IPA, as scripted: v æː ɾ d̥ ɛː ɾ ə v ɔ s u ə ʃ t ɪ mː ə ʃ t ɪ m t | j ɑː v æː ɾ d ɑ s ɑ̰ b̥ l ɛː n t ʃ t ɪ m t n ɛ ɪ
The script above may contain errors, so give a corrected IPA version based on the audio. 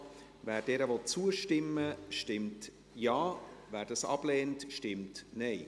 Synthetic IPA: v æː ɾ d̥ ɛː ɾ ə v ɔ t͡s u ə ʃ t ɪ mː ə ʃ t ɪ m t | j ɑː v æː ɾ d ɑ s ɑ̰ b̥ l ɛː n t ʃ t ɪ m t n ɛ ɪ